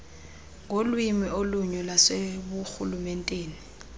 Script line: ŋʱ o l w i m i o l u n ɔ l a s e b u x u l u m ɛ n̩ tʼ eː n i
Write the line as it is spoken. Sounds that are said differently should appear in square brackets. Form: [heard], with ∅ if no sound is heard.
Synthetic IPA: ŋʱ o l w i m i o l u [ɲ] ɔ l a s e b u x u l u m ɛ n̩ tʼ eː n i